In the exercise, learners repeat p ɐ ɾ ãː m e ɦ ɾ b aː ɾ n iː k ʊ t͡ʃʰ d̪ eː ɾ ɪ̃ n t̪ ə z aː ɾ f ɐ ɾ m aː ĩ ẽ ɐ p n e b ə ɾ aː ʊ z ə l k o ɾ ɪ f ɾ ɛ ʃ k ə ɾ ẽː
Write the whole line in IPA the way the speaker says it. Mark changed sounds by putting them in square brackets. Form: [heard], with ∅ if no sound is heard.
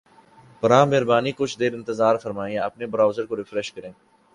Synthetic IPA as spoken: p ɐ ɾ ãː m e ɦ ɾ b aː [∅] n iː k ʊ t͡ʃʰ d̪ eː ɾ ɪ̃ n t̪ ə z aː ɾ f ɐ ɾ m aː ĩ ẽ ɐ p n e b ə ɾ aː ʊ z ə [ɾ] k o ɾ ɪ f ɾ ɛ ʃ k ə ɾ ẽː